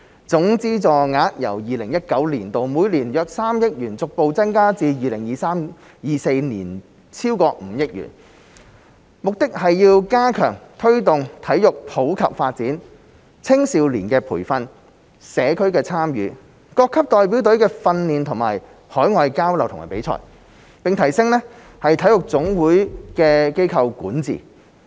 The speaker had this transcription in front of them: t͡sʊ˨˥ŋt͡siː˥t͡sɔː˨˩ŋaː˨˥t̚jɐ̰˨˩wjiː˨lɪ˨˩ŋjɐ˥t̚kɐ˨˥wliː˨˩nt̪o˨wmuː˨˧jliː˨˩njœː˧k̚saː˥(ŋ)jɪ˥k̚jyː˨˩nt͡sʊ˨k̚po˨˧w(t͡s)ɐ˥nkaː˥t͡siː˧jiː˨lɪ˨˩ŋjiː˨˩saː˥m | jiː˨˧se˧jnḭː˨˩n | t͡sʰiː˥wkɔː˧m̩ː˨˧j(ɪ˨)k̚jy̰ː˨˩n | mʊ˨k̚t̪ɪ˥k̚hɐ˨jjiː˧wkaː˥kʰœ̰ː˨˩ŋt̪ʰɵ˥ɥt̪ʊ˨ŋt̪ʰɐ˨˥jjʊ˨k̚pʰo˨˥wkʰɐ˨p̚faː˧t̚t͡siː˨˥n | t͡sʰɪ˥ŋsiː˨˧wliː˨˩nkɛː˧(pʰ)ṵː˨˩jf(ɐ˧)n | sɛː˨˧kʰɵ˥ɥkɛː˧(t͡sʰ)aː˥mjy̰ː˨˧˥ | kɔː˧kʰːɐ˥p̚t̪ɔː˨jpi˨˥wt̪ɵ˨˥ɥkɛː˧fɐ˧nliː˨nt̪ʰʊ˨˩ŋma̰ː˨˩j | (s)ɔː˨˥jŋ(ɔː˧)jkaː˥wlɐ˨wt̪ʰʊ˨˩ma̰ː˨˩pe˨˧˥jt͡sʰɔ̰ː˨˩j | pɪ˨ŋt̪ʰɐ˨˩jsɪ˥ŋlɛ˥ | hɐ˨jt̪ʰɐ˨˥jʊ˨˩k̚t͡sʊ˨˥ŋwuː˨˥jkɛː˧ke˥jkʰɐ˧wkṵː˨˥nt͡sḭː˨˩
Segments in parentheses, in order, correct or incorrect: incorrect: m, correct, incorrect: ɪ˥, correct, correct, correct, incorrect: h, correct

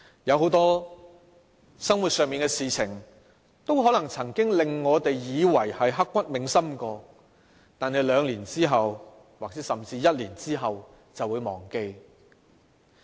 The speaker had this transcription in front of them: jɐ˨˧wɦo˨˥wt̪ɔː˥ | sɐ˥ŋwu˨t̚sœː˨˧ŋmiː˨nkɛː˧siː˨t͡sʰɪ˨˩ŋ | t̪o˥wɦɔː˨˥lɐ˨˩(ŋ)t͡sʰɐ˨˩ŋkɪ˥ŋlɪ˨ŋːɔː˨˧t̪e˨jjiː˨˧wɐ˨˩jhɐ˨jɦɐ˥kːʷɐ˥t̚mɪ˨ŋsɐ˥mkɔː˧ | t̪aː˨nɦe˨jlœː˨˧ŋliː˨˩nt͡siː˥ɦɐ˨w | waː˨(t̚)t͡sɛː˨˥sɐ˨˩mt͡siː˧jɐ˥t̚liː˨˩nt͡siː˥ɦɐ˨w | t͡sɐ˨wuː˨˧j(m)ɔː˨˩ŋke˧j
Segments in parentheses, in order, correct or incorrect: correct, incorrect: k̚, correct

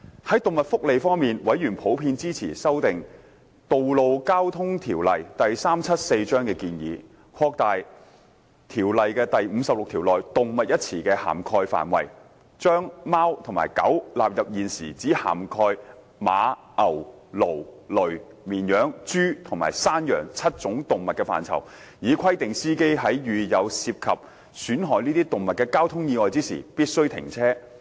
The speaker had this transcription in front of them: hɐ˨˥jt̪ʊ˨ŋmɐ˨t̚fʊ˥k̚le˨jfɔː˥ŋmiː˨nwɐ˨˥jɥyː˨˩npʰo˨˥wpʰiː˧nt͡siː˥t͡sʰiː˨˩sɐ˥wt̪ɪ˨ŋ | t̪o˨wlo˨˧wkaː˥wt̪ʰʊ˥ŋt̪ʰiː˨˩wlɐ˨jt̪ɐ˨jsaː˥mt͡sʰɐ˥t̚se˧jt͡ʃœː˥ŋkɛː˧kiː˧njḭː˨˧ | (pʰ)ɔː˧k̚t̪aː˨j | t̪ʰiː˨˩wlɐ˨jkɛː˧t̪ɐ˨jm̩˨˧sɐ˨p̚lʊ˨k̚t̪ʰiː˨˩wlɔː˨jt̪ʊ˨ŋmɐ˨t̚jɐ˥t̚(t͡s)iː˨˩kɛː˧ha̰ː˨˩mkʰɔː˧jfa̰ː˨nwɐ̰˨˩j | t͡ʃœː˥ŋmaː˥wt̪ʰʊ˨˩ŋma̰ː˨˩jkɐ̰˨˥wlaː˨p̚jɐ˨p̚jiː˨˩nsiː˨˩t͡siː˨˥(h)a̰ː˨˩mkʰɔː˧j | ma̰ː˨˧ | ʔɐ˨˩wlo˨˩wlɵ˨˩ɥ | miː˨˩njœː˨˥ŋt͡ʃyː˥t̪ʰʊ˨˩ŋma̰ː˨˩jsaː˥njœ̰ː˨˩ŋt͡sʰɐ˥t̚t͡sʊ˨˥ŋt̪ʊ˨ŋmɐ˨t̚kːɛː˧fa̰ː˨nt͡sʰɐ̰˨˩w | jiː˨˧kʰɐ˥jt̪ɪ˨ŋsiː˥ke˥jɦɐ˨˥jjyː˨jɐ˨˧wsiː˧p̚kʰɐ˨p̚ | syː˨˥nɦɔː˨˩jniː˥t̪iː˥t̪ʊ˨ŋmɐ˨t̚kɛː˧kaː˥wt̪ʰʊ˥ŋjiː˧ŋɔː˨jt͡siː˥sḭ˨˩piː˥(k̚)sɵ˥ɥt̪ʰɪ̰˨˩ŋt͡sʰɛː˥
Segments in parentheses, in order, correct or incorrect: incorrect: kʰ, incorrect: t͡sʰ, correct, incorrect: t̚

